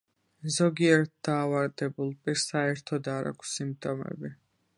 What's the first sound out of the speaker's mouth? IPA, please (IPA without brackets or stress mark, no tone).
z